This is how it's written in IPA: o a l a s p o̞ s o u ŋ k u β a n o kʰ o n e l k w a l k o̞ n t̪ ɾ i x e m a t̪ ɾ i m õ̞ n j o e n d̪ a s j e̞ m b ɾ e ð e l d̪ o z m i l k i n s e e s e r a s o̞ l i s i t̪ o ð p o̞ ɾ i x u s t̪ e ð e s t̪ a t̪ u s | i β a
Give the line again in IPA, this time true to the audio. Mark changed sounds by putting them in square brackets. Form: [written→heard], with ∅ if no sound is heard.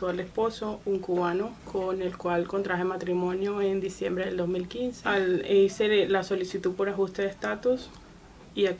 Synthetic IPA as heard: o a l [a→e] s p o̞ s o u ŋ k u β a n o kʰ o n e l k w a l k o̞ n t̪ ɾ [i→a] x e m a t̪ ɾ i m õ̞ n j o e n d̪ [a→i] s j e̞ m b ɾ e ð e l d̪ o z m i l k i n s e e s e [r→l] a s o̞ l i s i t̪ [o→u] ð p o̞ ɾ [i→a] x u s t̪ e ð e s t̪ a t̪ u s | i [β→∅] a